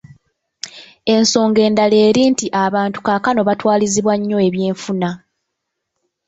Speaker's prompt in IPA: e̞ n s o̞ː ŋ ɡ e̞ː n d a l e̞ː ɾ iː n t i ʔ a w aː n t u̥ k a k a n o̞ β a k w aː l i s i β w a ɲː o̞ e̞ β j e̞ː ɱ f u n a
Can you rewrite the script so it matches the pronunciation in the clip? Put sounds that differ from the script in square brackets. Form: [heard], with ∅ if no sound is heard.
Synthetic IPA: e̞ n s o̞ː ŋ ɡ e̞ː n d a l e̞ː ɾ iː n t i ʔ a [β] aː n t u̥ k a k a n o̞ β a [t] w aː l i [z] i β w a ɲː o̞ e̞ β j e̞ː ɱ f u n a

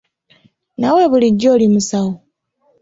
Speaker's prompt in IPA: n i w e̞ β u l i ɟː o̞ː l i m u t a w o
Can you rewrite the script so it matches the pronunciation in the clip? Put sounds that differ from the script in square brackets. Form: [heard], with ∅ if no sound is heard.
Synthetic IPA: n [a] w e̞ β u l i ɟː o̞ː l i m u [s] a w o

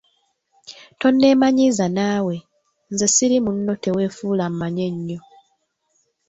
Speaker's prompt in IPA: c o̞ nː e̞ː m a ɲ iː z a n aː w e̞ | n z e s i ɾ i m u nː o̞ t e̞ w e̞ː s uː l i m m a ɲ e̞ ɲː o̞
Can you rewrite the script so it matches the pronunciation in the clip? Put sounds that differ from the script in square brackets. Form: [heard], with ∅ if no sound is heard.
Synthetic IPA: [t] o̞ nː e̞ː m a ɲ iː z a n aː w e̞ | n z e s i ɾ i m u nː o̞ t e̞ w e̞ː [f] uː l [a] m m a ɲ e̞ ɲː o̞

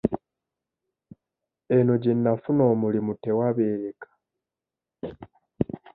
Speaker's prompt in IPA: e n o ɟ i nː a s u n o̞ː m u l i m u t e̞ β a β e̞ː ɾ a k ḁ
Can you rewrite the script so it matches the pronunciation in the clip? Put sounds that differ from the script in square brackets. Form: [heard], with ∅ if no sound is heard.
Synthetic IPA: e n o ɟ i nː a [f] u n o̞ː m u l i m u t e̞ [w] a β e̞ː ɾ [e] k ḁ

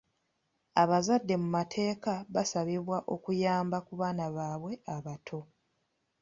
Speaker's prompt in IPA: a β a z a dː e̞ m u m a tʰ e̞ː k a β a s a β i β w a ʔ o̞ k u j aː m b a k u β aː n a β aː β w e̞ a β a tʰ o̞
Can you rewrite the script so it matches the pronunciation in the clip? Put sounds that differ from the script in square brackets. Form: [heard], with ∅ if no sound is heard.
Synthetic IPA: a β a z a dː e̞ m u m a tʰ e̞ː k a β a s a β i β w a ʔ o̞ k u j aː m b a k u β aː n a β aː β w e̞ a β a tʰ o̞

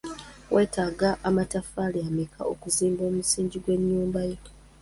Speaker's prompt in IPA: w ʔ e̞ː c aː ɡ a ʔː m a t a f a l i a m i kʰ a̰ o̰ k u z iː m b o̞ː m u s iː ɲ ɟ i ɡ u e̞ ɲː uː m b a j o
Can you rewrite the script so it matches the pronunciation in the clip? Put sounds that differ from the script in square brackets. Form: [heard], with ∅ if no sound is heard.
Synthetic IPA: w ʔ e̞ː [t] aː ɡ a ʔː m a t a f a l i a m i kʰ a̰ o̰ k u z iː m b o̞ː m u s iː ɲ ɟ i ɡ [w] e̞ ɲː uː m b a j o

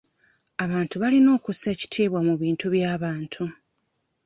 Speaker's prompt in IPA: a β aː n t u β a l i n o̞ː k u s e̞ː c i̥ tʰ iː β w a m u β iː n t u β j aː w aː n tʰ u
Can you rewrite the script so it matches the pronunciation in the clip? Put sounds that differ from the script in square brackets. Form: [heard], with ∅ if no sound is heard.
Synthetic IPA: a β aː n t u β a l i n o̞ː k u s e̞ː c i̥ tʰ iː β w a m u β iː n t u β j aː [β] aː n tʰ u

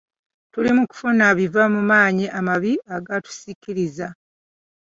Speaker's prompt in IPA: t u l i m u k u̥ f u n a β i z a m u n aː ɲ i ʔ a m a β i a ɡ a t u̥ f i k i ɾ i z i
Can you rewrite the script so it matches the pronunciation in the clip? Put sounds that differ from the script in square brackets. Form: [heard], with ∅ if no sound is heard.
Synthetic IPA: t u l i m u k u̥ f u n a β i [v] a m u [m] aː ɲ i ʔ a m a β i a ɡ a t u̥ [s] i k i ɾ i z [a]

